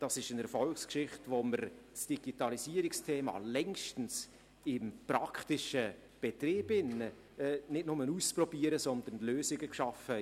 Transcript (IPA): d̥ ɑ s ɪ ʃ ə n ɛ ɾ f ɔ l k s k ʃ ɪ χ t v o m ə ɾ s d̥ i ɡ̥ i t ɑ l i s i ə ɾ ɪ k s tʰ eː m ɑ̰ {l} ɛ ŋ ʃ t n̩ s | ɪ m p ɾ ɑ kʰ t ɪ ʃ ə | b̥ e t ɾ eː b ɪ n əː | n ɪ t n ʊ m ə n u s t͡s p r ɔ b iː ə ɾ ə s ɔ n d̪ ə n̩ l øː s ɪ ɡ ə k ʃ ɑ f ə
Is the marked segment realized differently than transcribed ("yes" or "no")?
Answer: no